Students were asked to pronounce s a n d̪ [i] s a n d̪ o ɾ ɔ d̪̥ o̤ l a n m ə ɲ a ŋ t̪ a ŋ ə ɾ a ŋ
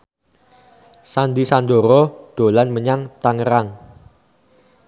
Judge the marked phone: correct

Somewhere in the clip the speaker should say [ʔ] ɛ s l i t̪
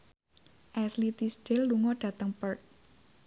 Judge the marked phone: correct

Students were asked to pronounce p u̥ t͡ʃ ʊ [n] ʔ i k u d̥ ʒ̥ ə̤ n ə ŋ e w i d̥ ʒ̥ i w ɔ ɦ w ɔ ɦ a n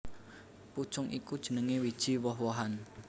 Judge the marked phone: incorrect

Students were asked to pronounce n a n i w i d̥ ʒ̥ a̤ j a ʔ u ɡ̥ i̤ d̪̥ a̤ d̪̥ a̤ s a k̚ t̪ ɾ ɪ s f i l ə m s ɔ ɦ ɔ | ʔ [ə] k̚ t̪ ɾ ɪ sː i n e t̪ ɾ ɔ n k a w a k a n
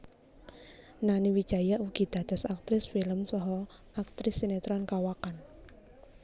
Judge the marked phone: incorrect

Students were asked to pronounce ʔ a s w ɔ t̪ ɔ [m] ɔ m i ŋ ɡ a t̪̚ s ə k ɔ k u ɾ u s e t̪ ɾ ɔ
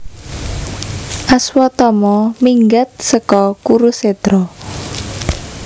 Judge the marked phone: correct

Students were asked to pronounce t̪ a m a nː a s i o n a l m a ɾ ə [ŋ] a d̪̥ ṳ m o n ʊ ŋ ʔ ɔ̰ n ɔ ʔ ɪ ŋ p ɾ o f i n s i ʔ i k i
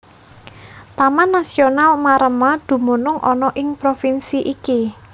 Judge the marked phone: incorrect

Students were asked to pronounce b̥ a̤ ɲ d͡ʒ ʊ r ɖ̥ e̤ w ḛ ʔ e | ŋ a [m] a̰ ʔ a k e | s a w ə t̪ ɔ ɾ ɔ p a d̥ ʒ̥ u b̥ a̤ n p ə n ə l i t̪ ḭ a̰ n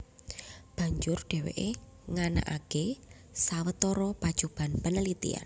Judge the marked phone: incorrect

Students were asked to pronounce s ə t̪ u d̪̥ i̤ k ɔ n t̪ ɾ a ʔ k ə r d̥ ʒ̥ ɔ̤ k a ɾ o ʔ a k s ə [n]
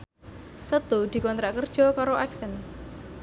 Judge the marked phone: correct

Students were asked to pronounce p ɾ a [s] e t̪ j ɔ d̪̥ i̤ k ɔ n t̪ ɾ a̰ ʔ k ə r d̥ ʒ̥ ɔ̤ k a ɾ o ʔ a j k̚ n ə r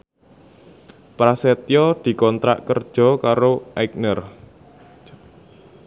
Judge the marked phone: correct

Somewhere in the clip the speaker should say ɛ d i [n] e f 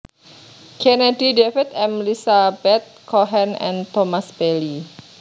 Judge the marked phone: incorrect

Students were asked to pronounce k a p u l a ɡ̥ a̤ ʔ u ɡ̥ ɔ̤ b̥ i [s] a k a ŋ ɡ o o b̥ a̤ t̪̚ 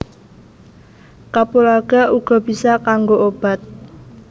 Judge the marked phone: correct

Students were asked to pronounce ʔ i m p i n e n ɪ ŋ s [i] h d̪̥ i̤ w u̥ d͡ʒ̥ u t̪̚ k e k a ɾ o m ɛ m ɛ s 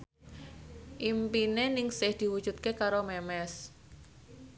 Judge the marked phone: incorrect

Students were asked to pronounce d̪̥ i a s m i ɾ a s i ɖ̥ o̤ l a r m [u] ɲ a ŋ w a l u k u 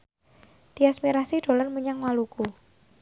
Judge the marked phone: correct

